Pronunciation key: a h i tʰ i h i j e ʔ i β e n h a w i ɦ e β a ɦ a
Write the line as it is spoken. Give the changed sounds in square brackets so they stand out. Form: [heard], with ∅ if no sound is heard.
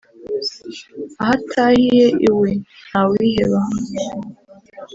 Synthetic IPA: a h [a] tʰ [a] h i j e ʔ i [w] e n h a w i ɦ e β a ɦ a